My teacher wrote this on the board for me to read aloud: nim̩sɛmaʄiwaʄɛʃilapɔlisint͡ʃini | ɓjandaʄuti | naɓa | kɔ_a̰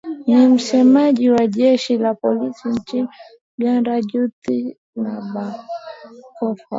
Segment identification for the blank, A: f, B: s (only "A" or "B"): A